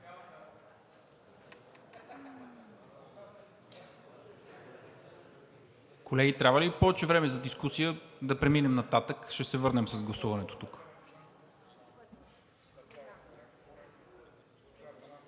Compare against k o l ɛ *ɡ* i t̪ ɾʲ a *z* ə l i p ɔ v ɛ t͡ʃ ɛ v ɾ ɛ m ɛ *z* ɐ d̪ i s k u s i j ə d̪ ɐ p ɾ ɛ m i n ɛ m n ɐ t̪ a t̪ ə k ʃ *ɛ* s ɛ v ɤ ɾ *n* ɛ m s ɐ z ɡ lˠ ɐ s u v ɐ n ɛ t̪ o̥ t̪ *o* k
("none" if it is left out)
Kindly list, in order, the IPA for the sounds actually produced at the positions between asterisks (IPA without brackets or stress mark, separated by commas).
ɡ, v, z, ɛ, n, u